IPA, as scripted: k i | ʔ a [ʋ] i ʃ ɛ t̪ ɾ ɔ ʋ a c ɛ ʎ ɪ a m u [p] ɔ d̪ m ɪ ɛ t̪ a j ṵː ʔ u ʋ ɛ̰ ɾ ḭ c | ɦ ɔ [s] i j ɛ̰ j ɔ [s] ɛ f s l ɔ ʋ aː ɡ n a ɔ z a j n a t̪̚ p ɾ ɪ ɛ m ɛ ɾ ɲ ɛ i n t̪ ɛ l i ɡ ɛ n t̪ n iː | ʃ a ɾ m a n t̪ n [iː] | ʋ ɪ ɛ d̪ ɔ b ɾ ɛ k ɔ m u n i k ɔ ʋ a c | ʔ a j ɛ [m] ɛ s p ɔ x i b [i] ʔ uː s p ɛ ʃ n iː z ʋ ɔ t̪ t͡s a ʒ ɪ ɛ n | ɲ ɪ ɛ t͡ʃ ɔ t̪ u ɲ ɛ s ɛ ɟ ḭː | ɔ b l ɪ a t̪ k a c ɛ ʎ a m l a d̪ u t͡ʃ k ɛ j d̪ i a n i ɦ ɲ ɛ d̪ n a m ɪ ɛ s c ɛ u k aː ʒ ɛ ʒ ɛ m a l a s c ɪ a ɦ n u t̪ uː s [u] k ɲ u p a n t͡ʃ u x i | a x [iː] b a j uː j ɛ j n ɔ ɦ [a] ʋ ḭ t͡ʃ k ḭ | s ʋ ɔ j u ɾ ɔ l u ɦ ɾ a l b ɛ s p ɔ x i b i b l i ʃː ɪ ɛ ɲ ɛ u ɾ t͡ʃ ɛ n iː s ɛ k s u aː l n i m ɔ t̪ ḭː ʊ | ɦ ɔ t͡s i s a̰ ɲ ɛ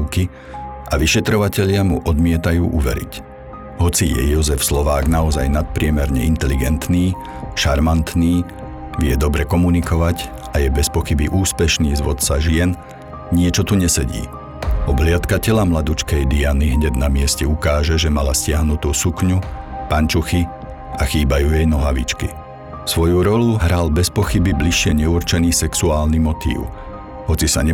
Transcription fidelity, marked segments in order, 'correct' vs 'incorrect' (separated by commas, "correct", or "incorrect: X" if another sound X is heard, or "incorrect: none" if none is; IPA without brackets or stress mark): correct, incorrect: ʔ, incorrect: t͡s, incorrect: z, correct, incorrect: b, correct, correct, correct, correct